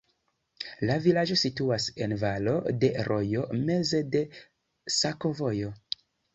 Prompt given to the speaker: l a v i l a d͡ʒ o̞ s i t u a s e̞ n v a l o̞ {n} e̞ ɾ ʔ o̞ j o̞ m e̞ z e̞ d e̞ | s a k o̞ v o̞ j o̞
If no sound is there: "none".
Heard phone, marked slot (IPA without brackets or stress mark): d